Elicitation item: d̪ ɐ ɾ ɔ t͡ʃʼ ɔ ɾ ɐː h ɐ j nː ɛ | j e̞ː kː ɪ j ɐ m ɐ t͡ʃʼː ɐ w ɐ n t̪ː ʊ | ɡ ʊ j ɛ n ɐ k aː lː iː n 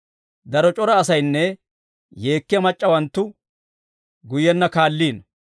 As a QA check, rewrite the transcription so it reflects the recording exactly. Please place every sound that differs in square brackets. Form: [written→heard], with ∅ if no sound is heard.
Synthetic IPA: d̪ ɐ ɾ ɔ t͡ʃʼ ɔ ɾ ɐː [h→s] ɐ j nː ɛ | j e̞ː kː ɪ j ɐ m ɐ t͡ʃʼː ɐ w ɐ n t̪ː ʊ | ɡ ʊ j ɛ [n→nː] ɐ k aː lː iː n

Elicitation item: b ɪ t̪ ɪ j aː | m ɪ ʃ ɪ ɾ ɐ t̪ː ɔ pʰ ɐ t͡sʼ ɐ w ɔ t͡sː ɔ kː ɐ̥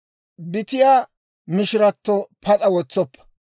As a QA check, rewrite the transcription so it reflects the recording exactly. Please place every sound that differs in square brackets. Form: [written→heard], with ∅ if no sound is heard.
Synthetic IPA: b ɪ t̪ ɪ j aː | m ɪ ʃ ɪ ɾ ɐ t̪ː ɔ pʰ ɐ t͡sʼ ɐ w ɔ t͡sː ɔ [kː→pː] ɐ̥

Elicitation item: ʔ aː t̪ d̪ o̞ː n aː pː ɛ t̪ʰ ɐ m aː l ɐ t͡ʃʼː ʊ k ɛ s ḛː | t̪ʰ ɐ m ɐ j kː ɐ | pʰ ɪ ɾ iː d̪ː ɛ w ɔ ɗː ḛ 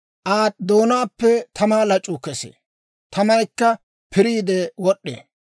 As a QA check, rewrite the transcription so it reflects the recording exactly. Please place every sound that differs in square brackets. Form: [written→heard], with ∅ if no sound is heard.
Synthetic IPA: ʔ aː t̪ d̪ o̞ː n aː pː ɛ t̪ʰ ɐ m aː l ɐ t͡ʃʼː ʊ k ɛ s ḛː | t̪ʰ ɐ m ɐ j kː ɐ | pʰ ɪ ɾ iː [d̪ː→d̪] ɛ w ɔ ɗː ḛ

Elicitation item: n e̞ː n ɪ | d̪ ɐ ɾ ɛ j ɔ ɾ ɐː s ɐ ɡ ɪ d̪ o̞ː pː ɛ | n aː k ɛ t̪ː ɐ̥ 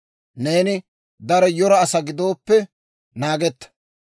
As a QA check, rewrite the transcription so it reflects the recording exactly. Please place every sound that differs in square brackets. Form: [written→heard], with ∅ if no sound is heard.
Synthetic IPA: n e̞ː n ɪ | d̪ ɐ ɾ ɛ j ɔ ɾ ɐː s ɐ ɡ ɪ d̪ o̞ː pː ɛ | n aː [k→ɡ] ɛ t̪ː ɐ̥

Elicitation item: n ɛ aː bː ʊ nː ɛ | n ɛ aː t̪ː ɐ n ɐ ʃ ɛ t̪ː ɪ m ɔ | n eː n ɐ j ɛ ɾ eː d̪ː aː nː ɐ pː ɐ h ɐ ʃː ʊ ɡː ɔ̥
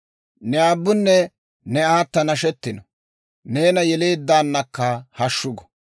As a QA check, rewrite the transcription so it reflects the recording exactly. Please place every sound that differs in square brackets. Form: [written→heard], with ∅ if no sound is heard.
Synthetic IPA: n ɛ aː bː ʊ nː ɛ | n ɛ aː t̪ː ɐ n ɐ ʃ ɛ t̪ː ɪ [m→n] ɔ | n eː n ɐ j ɛ [ɾ→l] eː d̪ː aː nː ɐ [pː→kː] ɐ h ɐ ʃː ʊ [ɡː→ɡ] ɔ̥

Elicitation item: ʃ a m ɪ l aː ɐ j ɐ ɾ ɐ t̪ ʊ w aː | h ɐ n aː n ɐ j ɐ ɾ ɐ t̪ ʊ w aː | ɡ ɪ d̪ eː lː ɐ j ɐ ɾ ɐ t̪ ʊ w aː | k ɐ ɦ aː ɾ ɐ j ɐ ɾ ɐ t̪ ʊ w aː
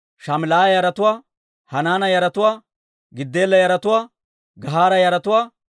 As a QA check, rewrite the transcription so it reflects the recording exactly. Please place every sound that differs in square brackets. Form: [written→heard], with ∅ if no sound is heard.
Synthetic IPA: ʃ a m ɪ l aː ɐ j ɐ ɾ ɐ t̪ ʊ w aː | h ɐ n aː n ɐ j ɐ ɾ ɐ t̪ ʊ w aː | ɡ ɪ [d̪→d̪ː] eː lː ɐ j ɐ ɾ ɐ t̪ ʊ w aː | [k→ɡ] ɐ ɦ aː ɾ ɐ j ɐ ɾ ɐ t̪ ʊ w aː

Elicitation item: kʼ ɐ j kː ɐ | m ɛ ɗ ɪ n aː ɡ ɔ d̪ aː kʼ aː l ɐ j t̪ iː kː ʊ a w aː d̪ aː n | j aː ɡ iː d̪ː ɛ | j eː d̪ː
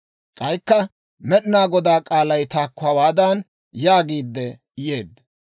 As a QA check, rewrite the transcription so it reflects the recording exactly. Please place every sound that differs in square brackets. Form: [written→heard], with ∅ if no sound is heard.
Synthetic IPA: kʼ ɐ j kː ɐ | m ɛ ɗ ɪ n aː ɡ ɔ d̪ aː kʼ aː l ɐ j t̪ [iː→aː] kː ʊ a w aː d̪ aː n | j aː ɡ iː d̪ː ɛ | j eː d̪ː

